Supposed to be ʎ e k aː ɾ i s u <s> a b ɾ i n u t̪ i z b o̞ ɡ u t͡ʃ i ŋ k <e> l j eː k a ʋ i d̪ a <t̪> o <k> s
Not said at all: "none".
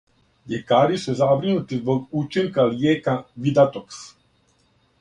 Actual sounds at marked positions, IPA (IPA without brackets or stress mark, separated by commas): z, a, t̪, k